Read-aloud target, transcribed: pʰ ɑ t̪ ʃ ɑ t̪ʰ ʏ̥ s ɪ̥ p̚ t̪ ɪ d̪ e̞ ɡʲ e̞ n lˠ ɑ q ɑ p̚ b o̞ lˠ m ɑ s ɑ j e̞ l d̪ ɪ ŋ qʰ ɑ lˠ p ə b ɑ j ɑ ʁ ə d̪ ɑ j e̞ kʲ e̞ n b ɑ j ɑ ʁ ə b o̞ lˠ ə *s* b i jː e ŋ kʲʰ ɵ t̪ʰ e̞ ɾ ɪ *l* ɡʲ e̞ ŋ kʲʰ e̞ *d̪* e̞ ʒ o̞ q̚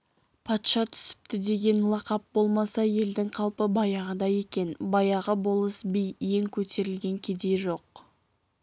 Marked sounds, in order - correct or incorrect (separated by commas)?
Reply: correct, correct, correct